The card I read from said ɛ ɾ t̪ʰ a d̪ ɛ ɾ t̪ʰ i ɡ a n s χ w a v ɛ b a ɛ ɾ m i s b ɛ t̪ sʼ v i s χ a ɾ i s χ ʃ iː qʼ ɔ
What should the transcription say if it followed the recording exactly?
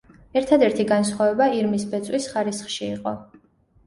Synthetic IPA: ɛ ɾ t̪ʰ a d̪ ɛ ɾ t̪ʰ i ɡ a n s χ w a v ɛ b a i ɾ m i s b ɛ t̪ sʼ w i s χ a ɾ i s χ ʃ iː qʼ ɔ